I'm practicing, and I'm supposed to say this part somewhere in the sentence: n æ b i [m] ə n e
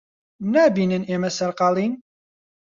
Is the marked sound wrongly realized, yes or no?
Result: yes